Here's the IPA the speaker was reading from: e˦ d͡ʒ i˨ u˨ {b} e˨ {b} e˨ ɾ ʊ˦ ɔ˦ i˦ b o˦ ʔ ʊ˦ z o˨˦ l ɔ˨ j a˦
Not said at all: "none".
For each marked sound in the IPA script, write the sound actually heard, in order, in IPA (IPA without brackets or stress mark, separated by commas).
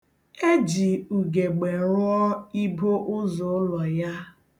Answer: ɡ, ɡ͡b